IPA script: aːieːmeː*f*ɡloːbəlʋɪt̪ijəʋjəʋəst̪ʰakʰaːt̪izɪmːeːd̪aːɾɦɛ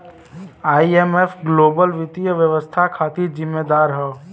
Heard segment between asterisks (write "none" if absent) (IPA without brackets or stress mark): f